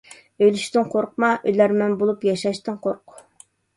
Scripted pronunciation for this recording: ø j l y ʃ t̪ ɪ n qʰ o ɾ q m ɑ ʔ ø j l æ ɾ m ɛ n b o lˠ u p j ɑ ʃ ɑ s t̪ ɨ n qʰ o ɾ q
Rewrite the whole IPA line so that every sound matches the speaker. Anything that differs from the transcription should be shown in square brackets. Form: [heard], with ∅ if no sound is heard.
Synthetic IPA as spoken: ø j l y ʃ t̪ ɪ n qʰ o ɾ q m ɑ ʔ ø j l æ ɾ m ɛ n b o lˠ u p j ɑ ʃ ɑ [ʃ] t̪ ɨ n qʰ o ɾ q

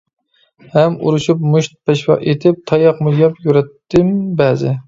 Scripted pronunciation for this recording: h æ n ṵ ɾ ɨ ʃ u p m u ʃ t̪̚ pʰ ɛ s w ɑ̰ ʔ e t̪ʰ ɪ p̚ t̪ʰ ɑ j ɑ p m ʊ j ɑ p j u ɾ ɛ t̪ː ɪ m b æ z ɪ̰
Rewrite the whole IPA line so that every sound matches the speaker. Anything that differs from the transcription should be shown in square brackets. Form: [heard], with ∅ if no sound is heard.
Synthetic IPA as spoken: h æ [m] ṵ ɾ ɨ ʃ u p m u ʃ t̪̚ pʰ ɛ [ʃ] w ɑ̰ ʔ e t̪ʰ ɪ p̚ t̪ʰ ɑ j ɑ [q] m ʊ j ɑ p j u ɾ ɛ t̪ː ɪ m b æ z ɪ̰

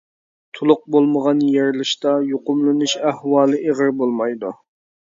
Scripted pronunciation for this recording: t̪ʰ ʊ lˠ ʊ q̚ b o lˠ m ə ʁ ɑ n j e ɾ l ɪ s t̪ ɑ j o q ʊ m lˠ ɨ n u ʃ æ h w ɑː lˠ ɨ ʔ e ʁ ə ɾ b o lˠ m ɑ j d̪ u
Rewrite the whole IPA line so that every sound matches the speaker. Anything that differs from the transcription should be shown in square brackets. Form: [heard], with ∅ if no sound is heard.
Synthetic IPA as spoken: t̪ʰ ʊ lˠ ʊ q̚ b o lˠ m ə ʁ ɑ n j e ɾ l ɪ [ʃ] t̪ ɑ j o q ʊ m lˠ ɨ n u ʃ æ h w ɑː lˠ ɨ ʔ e ʁ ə ɾ b o lˠ m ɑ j d̪ u

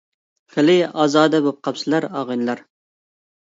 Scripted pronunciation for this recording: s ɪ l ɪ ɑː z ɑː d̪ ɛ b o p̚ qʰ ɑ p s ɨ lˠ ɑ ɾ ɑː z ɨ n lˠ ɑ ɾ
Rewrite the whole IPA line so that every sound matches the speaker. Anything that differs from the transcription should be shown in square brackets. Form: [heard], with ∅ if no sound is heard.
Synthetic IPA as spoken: [χ] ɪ l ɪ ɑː z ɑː d̪ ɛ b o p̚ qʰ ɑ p s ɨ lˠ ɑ ɾ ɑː [ʁ] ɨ n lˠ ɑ ɾ

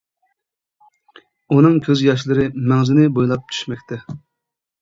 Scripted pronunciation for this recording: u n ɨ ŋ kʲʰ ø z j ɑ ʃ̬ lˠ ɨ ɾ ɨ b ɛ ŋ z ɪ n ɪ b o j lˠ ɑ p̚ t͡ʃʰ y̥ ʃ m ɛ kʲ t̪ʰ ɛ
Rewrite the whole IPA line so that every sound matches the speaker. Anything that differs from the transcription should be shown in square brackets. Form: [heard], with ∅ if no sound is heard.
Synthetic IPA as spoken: u n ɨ ŋ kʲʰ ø z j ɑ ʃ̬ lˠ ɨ ɾ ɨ [m] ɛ ŋ z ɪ n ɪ b o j lˠ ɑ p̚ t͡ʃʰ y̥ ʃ m ɛ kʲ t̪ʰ ɛ

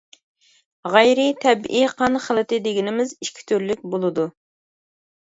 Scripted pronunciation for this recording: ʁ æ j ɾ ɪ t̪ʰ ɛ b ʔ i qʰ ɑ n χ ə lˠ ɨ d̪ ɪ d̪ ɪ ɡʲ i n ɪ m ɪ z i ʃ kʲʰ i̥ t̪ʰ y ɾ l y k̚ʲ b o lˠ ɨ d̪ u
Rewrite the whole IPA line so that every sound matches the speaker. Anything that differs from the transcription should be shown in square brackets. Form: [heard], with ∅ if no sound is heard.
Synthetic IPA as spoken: ʁ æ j ɾ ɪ t̪ʰ ɛ b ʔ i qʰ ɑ n χ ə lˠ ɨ [t̪] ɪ d̪ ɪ ɡʲ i n ɪ m ɪ z i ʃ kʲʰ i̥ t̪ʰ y ɾ l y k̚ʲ b o lˠ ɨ d̪ u

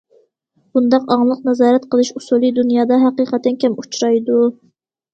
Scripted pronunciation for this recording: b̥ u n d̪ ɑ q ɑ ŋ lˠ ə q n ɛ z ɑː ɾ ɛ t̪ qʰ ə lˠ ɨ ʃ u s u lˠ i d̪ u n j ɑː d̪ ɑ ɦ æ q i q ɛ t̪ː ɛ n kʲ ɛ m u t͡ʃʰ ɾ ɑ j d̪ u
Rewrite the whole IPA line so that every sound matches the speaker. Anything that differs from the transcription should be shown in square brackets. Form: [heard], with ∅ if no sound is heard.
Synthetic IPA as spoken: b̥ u n d̪ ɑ q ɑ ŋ lˠ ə q n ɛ z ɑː ɾ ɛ t̪ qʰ ə lˠ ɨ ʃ u s u lˠ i d̪ u n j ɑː d̪ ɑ ɦ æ q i q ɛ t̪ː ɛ n kʲ ɛ m u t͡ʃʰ ɾ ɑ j d̪ u

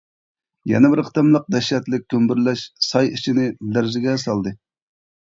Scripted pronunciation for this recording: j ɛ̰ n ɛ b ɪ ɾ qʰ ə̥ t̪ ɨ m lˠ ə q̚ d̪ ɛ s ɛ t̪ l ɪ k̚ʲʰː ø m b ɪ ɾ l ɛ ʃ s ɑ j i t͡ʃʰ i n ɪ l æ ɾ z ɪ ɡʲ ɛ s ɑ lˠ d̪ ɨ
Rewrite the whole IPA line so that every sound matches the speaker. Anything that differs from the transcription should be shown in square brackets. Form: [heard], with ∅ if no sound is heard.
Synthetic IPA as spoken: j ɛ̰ n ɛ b ɪ ɾ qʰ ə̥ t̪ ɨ m lˠ ə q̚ d̪ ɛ [ʃ] ɛ t̪ l ɪ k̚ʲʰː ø m b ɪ ɾ l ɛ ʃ s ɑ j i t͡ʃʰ i n ɪ l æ ɾ z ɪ ɡʲ ɛ s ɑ lˠ d̪ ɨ

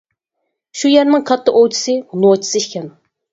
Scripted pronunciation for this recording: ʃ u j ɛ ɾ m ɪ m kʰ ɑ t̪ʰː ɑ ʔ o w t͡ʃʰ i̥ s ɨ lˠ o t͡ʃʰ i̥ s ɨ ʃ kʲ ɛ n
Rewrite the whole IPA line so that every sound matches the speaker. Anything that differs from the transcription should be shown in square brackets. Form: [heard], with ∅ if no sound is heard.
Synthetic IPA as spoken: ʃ u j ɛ ɾ [n] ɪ [ŋ] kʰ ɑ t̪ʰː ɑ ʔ o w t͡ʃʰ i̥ s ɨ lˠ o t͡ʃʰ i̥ s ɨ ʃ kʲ ɛ n

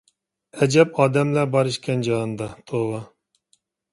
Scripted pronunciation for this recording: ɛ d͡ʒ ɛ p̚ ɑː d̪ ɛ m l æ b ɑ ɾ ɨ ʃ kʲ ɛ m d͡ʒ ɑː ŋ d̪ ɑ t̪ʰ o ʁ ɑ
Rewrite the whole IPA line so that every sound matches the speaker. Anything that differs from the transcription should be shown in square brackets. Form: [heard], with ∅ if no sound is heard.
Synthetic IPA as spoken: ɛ d͡ʒ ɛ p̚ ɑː d̪ ɛ m l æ b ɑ ɾ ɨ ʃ kʲ ɛ [n] d͡ʒ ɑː [n] d̪ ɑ t̪ʰ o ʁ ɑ

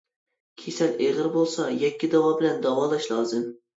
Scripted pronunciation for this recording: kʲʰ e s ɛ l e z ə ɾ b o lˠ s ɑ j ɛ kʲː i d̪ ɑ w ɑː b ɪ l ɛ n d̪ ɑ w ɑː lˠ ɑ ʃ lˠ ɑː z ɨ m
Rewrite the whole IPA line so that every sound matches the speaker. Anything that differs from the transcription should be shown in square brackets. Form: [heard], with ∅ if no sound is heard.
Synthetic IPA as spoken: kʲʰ e s ɛ l e [ʁ] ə ɾ b o lˠ s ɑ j ɛ kʲː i d̪ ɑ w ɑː b ɪ l ɛ n d̪ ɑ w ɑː lˠ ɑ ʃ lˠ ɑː z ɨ m

